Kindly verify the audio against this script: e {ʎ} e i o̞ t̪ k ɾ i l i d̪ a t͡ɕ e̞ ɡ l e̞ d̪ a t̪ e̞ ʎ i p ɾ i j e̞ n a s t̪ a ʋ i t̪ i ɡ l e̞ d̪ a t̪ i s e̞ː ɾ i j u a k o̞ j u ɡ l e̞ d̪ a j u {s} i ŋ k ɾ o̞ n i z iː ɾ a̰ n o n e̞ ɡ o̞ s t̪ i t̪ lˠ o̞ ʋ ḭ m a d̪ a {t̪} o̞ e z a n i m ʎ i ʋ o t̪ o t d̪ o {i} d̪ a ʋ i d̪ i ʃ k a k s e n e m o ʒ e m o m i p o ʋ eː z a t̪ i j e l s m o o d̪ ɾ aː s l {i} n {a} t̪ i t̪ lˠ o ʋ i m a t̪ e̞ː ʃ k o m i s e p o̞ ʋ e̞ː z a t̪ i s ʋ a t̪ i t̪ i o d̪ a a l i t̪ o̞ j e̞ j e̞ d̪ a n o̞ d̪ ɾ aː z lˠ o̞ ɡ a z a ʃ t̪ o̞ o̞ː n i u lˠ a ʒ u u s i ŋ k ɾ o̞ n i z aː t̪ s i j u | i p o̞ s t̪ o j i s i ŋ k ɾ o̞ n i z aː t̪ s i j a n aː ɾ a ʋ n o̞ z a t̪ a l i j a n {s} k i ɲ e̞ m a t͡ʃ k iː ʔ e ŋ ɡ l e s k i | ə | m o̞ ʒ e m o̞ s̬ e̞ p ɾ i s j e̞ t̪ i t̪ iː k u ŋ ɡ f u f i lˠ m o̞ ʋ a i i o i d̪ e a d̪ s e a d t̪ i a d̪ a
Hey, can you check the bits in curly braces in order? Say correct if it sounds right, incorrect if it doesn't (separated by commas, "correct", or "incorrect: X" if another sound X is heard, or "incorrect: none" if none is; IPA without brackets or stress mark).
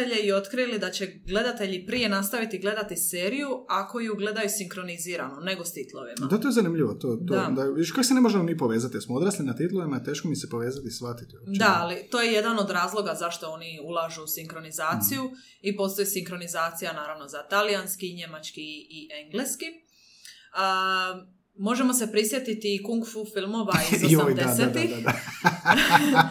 correct, correct, correct, incorrect: a, correct, correct, correct